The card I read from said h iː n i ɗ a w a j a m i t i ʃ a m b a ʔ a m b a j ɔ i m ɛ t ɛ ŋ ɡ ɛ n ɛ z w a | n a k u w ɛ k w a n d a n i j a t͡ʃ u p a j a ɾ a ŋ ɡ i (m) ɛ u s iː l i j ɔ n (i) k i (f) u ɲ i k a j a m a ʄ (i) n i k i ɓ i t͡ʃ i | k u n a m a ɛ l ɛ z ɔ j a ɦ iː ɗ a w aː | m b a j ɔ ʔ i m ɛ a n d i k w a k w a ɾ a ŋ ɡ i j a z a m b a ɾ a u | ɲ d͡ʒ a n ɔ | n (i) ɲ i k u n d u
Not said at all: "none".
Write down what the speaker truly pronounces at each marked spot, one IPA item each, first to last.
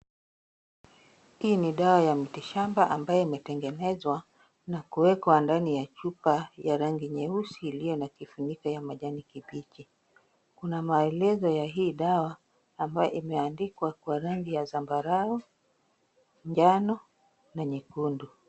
ɲ, a, f, a, a

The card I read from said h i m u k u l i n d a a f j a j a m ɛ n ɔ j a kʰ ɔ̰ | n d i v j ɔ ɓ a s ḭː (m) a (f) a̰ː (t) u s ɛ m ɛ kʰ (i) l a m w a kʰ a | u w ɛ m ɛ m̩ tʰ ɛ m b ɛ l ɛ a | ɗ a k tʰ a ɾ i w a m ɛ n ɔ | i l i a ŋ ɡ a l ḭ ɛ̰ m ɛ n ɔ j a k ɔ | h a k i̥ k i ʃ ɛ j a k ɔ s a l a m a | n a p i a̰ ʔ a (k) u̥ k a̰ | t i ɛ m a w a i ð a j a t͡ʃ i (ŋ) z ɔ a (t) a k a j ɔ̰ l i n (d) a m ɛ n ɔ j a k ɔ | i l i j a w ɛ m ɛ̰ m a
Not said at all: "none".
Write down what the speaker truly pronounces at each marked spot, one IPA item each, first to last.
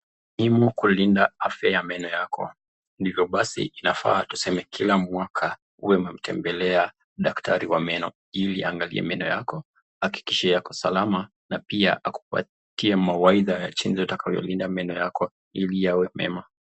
n, f, t, i, k, n, t, d

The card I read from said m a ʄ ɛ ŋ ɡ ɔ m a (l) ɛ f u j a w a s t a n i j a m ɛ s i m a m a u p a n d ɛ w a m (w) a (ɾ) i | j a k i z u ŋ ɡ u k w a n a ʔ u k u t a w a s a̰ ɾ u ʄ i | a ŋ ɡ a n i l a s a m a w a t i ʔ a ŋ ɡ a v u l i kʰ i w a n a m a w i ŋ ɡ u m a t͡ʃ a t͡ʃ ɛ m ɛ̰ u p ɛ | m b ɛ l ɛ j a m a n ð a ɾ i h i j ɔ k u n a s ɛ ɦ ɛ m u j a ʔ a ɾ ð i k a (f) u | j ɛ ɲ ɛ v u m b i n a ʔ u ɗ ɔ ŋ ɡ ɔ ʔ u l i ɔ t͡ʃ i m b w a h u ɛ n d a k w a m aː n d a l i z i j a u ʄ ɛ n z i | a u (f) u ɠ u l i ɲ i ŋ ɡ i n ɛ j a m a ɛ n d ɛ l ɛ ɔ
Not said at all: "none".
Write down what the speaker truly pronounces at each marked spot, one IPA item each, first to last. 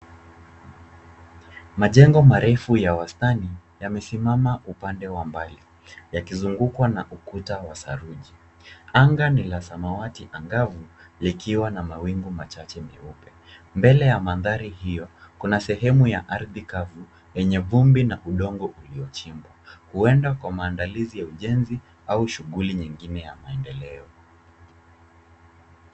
ɾ, b, l, v, ʃ

